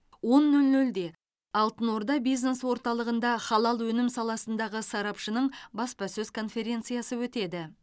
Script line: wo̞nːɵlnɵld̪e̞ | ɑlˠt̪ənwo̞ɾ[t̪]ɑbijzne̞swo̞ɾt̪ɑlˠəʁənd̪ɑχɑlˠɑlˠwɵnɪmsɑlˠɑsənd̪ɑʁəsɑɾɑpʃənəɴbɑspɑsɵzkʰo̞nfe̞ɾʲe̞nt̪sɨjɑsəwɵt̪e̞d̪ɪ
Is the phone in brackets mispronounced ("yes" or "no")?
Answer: yes